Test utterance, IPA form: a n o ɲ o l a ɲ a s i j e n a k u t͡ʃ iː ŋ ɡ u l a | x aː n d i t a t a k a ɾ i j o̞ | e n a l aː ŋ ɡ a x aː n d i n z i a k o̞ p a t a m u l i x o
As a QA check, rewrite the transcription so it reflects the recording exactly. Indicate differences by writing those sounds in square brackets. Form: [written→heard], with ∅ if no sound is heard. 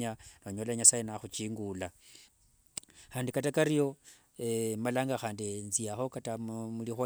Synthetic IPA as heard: a n o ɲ o l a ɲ a s [i→a] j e n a [k→x] u t͡ʃ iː ŋ ɡ u l a | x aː n d i [t→k] a t a k a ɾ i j o̞ | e [n→m] a l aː ŋ ɡ a x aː n d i n z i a [k→x] o̞ [p→k] a t a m u l i x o

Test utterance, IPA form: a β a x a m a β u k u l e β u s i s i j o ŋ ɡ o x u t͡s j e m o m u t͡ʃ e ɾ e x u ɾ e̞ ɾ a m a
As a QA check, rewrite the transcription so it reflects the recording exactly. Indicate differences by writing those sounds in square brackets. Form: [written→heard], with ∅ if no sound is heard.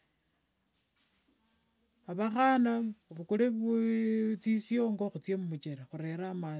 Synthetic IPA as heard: a β a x a [m→n] a β u k u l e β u [s→t͡s] i s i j o ŋ ɡ o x u t͡s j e m [o→u] m u t͡ʃ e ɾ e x u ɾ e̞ ɾ a m a

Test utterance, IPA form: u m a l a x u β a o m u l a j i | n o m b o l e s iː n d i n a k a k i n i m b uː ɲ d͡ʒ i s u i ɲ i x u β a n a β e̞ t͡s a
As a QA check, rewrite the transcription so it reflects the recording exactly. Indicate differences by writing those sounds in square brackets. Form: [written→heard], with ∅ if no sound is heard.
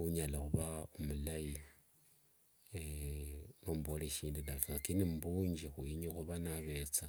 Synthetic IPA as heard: u [m→ɲ] a l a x u β a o m u l a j i | n o m b o l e [s→ʃ] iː n d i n a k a k i n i m b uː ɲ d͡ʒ i [s→x] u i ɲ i x u β a n a β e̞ t͡s a

